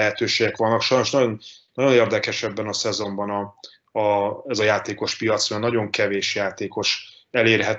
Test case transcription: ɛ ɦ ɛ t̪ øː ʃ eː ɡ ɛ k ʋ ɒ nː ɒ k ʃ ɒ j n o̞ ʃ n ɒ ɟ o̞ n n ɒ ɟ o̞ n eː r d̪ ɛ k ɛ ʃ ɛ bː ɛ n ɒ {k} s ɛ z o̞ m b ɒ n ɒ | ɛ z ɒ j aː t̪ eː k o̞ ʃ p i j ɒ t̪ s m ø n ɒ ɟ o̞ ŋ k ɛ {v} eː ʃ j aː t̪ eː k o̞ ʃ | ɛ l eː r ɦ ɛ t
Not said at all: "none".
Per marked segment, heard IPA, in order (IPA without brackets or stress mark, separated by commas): none, v